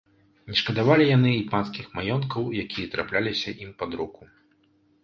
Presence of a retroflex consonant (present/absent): present